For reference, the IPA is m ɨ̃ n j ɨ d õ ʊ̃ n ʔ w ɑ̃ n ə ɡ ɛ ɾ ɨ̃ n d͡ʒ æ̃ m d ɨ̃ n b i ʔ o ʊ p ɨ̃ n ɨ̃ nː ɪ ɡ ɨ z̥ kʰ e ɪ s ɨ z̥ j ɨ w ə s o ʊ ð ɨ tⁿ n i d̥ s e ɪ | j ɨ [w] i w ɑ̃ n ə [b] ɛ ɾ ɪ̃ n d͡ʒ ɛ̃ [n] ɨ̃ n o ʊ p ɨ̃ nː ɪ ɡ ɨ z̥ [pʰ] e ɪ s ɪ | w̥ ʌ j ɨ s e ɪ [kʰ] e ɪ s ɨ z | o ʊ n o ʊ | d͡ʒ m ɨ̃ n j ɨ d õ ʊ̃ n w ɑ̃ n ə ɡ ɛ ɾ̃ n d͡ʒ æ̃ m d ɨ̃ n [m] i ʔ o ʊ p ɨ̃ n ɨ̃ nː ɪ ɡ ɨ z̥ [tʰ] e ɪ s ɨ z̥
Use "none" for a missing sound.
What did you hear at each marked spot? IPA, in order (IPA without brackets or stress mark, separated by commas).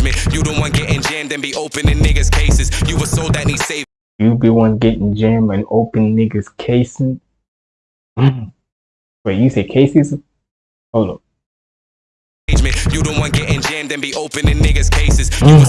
b, ɡ, m, kʰ, kʰ, b, kʰ